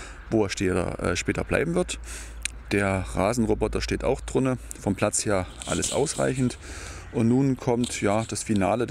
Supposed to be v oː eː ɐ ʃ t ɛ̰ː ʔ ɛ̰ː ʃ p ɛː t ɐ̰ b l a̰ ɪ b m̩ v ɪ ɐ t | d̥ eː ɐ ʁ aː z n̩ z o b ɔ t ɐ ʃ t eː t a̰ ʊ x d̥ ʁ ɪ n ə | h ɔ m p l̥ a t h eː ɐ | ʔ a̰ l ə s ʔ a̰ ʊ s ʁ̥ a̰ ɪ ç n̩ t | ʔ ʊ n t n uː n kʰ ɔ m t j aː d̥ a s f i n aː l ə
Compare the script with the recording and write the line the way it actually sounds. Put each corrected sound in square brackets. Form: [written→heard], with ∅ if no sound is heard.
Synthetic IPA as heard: v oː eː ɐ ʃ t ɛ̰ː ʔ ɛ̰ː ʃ p ɛː t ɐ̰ b l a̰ ɪ b m̩ v ɪ ɐ t | d̥ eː ɐ ʁ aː z n̩ [z→ʁ] o b ɔ t ɐ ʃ t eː t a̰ ʊ x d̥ ʁ ɪ n ə | [h→f] ɔ m p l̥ a [t→t͡s] h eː ɐ | ʔ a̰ l ə s ʔ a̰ ʊ s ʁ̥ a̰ ɪ ç n̩ t | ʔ ʊ n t n uː n kʰ ɔ m t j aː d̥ a s f i n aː l ə